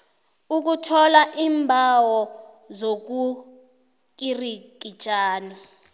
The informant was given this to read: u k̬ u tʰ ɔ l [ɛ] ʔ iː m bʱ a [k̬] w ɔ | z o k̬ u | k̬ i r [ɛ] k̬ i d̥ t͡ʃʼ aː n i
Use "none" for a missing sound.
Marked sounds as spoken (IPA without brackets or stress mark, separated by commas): a, none, i